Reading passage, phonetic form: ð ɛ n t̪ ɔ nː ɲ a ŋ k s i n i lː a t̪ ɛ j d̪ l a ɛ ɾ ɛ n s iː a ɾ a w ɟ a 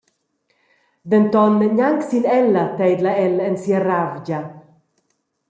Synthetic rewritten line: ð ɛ n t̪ ɔ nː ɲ a ŋ k s i n ɛ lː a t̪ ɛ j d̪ l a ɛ l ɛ n s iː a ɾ a v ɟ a

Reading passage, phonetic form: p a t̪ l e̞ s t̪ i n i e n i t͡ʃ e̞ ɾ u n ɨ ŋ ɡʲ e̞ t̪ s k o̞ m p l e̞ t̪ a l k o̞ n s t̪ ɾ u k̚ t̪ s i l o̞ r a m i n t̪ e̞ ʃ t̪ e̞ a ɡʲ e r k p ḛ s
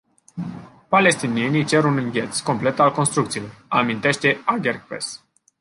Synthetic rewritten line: p a l e̞ s t̪ i n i e n i t͡ʃ e̞ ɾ u n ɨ ŋ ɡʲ e̞ t̪ s k o̞ m p l e̞ t̪ a l k o̞ n s t̪ ɾ u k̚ t̪ s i l o̞ r a m i n t̪ e̞ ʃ t̪ e̞ a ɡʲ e r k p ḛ s

